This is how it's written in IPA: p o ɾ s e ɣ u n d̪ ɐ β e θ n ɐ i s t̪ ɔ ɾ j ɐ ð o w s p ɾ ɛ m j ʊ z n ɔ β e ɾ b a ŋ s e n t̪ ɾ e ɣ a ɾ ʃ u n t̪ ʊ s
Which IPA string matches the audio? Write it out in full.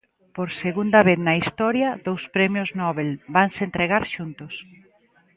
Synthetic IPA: p o ɾ s e ɣ u n d̪ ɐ β e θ n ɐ i s t̪ ɔ ɾ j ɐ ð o w s p ɾ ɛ m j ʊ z n ɔ β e l b a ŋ s e n t̪ ɾ e ɣ a ɾ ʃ u n t̪ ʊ s